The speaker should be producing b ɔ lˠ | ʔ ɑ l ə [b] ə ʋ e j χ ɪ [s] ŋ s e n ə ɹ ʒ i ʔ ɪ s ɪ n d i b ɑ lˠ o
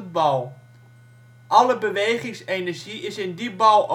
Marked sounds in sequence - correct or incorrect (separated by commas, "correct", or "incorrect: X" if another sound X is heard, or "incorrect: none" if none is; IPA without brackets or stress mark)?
correct, incorrect: none